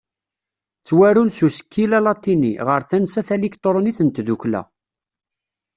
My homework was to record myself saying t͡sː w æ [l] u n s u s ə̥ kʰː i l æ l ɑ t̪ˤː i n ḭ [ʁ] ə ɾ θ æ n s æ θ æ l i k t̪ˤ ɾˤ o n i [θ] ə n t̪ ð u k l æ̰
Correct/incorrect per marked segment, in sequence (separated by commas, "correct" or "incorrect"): incorrect, correct, correct